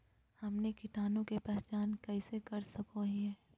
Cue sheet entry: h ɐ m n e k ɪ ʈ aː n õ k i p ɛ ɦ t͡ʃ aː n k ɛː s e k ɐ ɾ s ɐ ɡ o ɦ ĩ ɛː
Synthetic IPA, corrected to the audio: h ɐ m n e k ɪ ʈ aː n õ k e p ɛ ɦ t͡ʃ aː n k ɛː s e k ɐ ɾ s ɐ k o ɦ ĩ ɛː